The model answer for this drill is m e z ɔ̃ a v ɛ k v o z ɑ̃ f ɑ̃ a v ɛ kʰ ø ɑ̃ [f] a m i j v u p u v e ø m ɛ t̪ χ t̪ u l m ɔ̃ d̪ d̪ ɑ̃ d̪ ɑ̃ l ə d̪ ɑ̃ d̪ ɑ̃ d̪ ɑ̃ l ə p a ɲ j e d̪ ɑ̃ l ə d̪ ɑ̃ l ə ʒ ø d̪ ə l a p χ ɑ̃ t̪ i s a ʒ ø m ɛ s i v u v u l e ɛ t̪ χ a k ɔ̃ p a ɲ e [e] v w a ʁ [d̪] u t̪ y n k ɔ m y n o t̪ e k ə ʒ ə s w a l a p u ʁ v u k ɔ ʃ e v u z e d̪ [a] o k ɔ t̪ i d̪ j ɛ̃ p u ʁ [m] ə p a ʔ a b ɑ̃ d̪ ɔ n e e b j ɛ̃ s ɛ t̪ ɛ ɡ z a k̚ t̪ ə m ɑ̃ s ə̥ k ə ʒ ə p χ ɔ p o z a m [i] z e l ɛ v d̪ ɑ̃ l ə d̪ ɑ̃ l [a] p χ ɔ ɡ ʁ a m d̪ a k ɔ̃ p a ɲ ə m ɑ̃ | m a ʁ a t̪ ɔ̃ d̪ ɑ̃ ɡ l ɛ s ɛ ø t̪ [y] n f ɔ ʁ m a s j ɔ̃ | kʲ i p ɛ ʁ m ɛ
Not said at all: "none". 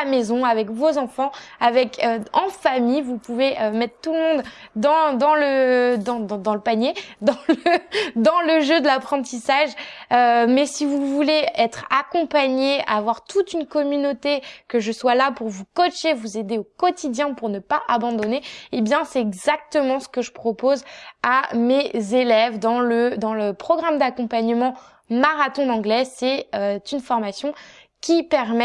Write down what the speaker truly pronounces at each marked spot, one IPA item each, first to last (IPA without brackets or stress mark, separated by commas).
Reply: f, a, t̪, e, n, e, ə, y